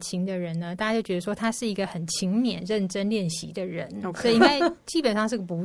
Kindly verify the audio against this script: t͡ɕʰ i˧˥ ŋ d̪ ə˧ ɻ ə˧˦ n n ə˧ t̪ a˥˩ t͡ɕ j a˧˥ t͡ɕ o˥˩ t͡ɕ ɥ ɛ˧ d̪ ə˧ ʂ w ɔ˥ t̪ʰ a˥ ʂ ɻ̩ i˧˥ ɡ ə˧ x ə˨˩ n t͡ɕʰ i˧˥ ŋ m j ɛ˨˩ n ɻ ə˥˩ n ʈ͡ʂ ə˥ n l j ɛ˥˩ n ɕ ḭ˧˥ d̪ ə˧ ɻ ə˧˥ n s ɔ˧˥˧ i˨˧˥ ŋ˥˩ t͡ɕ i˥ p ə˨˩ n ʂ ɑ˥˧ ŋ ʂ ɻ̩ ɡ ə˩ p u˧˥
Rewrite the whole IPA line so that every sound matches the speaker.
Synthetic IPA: t͡ɕʰ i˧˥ ŋ d̪ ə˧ ɻ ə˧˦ n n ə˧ t̪ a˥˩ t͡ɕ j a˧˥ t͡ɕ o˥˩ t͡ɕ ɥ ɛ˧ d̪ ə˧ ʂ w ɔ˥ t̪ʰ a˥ ʂ ɻ̩ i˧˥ ɡ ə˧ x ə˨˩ n t͡ɕʰ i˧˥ ŋ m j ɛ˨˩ n ɻ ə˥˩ n ʈ͡ʂ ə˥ n l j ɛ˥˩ n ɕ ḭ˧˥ d̪ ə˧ ɻ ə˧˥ n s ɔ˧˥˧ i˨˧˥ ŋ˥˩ t͡ɕ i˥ p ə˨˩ n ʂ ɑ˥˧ ŋ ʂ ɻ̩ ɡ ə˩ p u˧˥